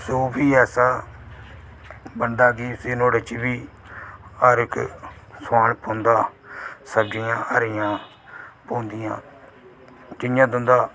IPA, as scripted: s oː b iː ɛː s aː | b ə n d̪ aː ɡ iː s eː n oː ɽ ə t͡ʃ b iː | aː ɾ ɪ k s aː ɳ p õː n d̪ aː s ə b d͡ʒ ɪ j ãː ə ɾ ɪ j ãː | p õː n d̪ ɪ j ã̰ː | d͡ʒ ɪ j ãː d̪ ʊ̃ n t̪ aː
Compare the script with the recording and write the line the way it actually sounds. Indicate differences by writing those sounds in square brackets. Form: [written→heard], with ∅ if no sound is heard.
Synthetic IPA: s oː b iː ɛː s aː | b ə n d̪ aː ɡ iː s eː n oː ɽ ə t͡ʃ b iː | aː ɾ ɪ k s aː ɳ p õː n d̪ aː s ə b d͡ʒ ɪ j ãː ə ɾ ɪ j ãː | p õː n d̪ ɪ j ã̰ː | d͡ʒ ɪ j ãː d̪ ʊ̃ n [t̪→d̪] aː